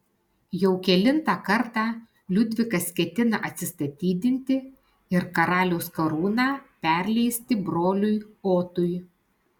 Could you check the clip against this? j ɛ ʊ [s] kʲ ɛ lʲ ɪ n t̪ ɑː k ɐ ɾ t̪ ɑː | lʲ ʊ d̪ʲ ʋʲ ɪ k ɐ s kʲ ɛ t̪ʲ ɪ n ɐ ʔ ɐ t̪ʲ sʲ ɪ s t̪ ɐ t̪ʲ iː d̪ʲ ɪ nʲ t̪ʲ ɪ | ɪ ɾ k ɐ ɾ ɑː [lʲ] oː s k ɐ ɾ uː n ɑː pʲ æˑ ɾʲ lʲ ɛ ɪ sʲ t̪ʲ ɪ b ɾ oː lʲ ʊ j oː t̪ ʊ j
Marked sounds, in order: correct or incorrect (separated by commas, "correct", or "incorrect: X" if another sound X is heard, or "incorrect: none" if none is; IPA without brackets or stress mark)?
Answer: incorrect: none, correct